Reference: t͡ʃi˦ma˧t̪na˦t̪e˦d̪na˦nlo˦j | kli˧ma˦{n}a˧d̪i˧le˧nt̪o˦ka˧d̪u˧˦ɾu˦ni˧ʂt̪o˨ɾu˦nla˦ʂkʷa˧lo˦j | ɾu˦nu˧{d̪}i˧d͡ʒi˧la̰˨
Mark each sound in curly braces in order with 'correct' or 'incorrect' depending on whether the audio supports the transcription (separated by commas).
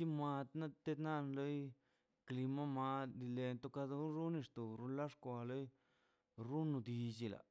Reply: incorrect, correct